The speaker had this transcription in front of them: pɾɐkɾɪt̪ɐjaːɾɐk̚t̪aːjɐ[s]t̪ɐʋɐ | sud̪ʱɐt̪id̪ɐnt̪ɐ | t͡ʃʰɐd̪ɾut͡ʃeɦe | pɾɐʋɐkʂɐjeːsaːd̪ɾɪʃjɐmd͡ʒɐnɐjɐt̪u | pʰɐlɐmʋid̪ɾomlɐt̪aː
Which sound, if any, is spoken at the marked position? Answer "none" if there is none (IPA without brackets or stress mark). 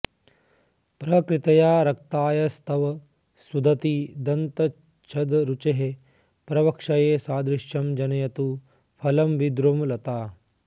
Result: s